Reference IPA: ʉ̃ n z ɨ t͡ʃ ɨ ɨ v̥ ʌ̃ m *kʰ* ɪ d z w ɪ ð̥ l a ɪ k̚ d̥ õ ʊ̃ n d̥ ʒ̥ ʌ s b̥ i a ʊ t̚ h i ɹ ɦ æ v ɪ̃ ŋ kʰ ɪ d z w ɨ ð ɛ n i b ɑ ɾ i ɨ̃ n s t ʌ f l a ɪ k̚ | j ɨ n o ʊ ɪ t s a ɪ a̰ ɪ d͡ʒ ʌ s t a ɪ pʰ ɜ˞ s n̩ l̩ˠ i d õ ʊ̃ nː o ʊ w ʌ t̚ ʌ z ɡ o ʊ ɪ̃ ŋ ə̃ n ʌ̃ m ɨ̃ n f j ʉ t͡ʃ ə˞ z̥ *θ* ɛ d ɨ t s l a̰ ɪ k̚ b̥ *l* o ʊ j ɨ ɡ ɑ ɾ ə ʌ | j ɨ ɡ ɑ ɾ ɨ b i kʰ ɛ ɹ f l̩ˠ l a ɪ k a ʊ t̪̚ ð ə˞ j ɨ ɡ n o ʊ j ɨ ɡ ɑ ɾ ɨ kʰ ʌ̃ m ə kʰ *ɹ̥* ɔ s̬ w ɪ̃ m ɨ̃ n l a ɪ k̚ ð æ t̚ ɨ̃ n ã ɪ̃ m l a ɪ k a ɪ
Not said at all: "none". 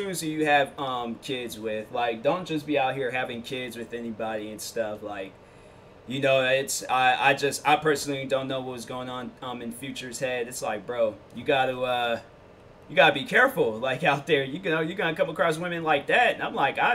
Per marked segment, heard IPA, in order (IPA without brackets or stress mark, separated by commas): kʰ, h, ɹ, ɹ̥